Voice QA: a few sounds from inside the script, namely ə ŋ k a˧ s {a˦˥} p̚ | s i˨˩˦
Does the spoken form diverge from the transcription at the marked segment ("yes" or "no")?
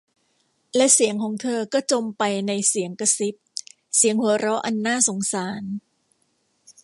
yes